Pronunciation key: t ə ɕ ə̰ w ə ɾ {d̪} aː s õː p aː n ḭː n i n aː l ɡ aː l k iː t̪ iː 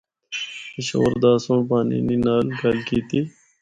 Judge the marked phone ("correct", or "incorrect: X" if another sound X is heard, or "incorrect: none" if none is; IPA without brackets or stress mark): correct